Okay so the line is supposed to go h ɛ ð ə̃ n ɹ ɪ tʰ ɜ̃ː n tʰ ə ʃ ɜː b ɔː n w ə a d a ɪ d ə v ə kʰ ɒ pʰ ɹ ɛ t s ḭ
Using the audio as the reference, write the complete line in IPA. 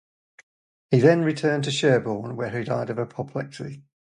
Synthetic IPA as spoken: h i ð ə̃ n ɹ ɪ tʰ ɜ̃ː n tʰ ə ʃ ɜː b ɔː n w ə i d a ɪ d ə v ə pʰ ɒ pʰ l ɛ k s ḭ